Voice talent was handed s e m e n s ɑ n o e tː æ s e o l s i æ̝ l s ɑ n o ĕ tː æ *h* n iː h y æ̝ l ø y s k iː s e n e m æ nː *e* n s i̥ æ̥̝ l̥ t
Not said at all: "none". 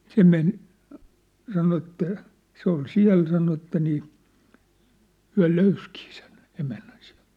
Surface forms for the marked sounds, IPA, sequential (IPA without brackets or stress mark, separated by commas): none, æ